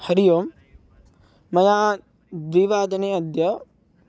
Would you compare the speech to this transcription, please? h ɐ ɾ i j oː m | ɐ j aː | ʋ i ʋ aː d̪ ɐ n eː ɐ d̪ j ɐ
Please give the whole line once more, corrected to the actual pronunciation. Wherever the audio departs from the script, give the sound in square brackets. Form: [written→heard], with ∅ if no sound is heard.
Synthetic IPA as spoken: h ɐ ɾ i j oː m | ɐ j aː | ʋ i ʋ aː d̪ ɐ n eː ɐ d̪ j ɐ